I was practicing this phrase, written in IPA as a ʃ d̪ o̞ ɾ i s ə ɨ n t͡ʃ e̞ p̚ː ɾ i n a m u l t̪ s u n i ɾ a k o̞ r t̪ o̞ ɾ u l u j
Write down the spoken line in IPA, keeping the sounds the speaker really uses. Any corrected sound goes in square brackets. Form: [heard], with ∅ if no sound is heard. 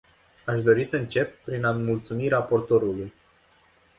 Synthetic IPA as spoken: a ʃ d̪ o̞ ɾ i s ə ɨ n t͡ʃ e̞ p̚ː ɾ i n a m u l t̪ s u [m] i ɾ a [p] o̞ r t̪ o̞ ɾ u l u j